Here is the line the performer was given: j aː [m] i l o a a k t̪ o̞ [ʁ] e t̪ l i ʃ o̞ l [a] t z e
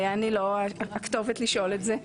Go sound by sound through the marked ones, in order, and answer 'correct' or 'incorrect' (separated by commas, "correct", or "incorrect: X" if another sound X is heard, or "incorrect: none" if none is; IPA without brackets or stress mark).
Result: incorrect: n, incorrect: v, incorrect: e